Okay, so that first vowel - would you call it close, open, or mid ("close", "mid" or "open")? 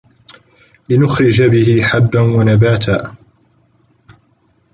close